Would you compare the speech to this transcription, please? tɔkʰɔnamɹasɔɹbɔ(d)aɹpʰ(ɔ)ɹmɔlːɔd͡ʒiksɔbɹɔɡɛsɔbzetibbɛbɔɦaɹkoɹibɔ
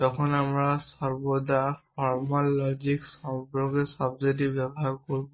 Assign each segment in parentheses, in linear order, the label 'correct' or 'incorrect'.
correct, correct

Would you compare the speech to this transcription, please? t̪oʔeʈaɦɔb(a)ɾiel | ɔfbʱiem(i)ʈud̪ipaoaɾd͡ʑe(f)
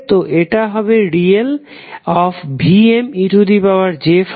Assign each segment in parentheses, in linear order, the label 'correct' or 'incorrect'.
incorrect: e, correct, correct

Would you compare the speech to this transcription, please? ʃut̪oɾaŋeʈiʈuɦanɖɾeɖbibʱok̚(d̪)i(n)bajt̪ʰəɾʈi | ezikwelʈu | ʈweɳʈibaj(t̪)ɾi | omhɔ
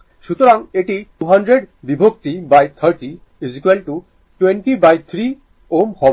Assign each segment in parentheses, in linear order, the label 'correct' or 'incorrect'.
incorrect: t̪, incorrect: none, incorrect: t̪ʰ

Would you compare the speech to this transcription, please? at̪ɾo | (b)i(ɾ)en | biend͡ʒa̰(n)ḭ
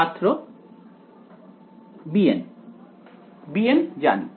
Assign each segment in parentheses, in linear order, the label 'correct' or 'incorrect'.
correct, incorrect: none, correct

